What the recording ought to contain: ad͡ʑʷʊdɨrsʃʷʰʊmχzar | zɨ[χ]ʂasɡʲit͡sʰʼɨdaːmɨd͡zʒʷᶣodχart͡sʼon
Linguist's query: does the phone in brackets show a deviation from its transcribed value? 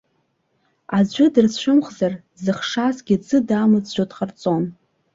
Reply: no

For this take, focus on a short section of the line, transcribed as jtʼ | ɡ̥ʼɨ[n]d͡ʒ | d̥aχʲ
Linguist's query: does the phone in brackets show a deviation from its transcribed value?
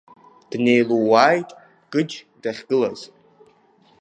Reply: yes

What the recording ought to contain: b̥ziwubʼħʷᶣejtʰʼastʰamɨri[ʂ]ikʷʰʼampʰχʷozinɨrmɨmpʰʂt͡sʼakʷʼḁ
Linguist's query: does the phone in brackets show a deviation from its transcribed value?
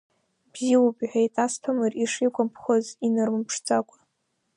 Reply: no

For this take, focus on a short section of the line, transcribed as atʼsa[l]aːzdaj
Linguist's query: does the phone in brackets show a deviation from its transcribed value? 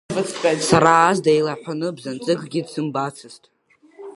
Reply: yes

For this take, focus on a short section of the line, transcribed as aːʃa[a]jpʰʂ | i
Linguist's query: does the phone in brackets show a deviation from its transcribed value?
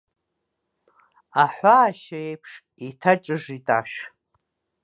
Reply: yes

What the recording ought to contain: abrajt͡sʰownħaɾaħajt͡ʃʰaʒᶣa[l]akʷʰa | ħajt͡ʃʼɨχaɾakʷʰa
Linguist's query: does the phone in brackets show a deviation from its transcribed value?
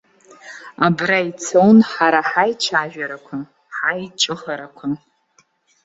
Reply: yes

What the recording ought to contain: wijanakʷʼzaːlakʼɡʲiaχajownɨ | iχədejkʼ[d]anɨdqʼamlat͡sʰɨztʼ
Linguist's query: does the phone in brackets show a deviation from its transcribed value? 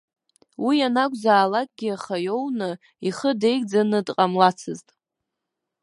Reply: yes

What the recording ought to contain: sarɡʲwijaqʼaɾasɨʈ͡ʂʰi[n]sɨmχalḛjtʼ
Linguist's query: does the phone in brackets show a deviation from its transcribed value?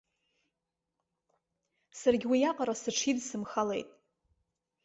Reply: yes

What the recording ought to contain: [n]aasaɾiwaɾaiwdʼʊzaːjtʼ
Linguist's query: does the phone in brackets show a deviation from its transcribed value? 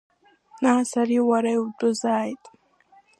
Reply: no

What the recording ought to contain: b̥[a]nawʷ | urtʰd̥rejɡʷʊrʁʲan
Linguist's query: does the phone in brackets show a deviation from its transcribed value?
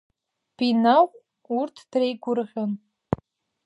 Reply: yes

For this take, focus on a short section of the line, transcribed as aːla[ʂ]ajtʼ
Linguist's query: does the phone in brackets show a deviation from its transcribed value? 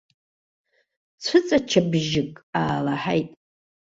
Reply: yes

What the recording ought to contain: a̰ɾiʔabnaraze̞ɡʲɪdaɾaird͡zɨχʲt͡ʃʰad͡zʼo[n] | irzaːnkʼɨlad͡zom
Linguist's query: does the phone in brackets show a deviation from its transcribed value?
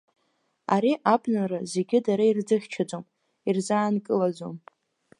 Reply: yes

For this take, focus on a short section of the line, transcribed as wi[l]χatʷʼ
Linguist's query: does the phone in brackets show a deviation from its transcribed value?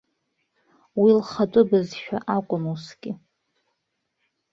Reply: no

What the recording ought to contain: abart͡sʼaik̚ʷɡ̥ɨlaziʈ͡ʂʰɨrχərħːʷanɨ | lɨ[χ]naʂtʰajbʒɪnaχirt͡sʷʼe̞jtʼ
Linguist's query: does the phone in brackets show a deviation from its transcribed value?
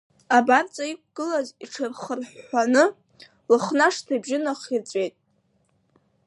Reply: no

